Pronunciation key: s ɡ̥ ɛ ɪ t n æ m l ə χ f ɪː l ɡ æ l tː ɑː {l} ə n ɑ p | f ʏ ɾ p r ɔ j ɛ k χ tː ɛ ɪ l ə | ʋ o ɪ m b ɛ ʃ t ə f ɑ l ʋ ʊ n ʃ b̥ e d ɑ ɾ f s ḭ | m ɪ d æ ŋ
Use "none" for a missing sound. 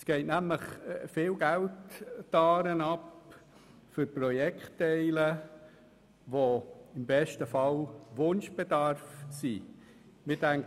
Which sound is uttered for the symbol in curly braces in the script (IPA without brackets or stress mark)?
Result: ɾ